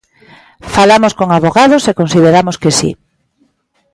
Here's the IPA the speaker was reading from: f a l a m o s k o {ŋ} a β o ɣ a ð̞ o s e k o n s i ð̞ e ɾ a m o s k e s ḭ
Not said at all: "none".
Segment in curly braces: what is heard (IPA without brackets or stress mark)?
ŋ